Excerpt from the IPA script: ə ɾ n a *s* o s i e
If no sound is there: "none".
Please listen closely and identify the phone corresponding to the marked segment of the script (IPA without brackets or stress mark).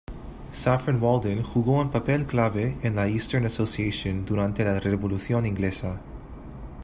s